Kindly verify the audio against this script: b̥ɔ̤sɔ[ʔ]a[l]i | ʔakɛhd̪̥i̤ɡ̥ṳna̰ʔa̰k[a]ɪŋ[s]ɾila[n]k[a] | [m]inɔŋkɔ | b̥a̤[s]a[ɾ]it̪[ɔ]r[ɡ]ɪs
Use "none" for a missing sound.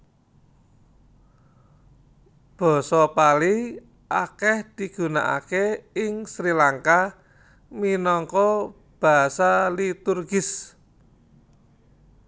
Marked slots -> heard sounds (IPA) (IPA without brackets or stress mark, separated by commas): p, l, e, s, ŋ, a, m, s, l, u, ɡ